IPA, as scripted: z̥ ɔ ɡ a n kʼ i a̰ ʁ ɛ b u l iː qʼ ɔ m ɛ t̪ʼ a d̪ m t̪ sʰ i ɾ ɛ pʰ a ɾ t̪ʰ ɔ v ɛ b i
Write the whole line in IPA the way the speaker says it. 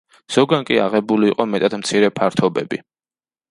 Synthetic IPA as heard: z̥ ɔ ɡ a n kʼ i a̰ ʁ ɛ b u l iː qʼ ɔ m ɛ t̪ʼ a d̪ m t̪ sʰ i ɾ ɛ pʰ a ɾ t̪ʰ ɔ b ɛ b i